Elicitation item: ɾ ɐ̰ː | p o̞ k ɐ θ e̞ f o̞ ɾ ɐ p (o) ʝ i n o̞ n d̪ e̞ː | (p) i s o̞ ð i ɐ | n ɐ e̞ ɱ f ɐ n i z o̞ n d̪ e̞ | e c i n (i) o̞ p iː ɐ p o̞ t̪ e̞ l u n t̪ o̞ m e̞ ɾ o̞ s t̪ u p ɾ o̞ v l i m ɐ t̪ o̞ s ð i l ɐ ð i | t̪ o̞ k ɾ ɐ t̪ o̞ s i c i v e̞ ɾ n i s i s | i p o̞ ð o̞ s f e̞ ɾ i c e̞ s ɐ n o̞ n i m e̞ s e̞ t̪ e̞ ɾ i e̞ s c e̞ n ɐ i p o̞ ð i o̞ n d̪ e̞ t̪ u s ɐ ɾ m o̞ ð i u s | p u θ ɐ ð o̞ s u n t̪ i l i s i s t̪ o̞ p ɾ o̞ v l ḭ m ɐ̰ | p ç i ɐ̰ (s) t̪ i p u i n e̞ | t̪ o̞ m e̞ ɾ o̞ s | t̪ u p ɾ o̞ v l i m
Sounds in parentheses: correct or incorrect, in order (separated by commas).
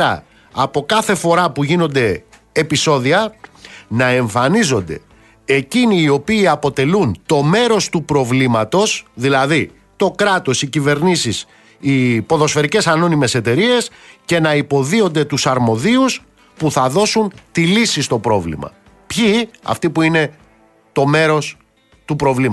incorrect, correct, incorrect, incorrect